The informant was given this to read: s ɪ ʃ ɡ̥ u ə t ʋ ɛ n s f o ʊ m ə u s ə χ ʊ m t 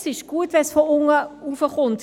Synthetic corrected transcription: s ɪ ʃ ɡ̥ u ə t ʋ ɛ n s f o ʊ ŋ ə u f ə χ ʊ n t